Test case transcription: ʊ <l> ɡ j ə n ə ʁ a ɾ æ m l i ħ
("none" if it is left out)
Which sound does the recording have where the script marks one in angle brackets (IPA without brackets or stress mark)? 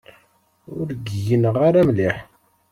ɾ